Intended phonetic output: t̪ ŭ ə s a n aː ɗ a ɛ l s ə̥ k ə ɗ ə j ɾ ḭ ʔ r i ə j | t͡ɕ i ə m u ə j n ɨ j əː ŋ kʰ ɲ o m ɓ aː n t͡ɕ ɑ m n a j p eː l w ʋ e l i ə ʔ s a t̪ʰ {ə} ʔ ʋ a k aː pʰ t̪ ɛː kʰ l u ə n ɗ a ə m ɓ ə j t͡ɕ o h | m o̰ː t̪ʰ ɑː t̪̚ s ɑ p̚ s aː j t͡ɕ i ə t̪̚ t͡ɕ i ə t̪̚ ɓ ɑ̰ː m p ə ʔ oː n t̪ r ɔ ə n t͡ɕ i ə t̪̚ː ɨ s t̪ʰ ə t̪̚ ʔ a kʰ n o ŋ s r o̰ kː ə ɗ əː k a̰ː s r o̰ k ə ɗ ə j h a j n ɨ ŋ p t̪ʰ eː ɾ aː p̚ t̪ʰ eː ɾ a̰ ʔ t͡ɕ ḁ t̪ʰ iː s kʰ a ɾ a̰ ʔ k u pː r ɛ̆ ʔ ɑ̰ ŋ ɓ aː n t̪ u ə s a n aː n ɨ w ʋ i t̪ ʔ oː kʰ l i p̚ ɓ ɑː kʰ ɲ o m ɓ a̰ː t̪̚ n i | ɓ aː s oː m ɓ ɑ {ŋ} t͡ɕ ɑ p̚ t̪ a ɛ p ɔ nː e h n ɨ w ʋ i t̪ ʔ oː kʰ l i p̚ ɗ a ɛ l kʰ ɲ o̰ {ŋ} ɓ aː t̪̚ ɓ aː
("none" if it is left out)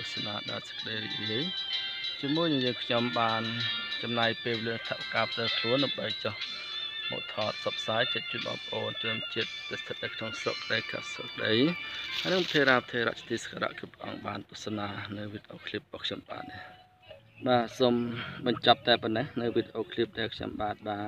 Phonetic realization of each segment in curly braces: a, ɲ, m

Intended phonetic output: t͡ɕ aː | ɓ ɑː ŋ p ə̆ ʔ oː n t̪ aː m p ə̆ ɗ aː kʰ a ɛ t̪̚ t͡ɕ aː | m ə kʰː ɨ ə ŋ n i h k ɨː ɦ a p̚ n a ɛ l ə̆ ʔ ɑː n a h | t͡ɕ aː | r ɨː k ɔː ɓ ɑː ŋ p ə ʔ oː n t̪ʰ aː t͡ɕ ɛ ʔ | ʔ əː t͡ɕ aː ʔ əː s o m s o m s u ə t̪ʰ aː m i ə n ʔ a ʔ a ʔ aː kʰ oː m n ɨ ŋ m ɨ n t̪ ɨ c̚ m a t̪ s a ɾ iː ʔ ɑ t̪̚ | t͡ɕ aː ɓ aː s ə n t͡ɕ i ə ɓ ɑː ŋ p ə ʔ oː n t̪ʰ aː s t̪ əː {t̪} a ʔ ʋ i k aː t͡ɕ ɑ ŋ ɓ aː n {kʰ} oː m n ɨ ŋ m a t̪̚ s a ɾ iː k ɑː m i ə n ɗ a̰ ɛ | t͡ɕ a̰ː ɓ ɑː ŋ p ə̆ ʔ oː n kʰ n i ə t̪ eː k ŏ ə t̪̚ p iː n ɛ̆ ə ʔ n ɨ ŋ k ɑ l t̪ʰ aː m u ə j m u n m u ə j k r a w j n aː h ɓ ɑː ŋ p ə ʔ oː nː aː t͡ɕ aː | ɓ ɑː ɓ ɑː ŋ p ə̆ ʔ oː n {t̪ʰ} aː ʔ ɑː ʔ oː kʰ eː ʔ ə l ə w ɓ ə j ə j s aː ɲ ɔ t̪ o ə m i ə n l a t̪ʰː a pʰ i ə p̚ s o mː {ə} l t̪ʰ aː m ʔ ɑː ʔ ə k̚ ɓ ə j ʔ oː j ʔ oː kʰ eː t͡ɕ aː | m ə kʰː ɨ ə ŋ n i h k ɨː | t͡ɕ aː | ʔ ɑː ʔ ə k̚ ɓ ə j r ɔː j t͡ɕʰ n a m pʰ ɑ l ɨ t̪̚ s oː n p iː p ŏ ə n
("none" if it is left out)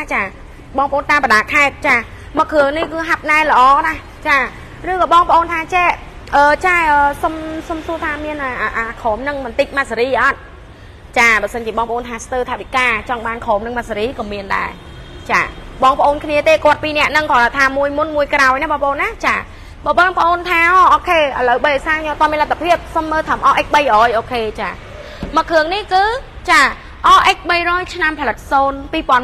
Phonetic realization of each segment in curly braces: t̪ʰ, kʰ, t̪ʰ, əː

